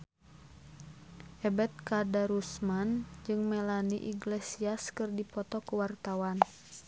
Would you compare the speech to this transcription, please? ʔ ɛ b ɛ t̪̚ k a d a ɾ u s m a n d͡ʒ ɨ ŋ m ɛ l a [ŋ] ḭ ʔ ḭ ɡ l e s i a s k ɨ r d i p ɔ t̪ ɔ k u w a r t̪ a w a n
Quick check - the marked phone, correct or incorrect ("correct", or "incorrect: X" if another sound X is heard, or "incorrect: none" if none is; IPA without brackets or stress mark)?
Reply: incorrect: n